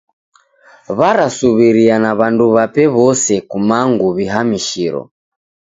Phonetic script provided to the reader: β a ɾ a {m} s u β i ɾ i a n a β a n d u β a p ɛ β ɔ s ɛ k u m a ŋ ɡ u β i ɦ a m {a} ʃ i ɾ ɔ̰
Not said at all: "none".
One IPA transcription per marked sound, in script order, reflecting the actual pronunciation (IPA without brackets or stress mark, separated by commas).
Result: none, i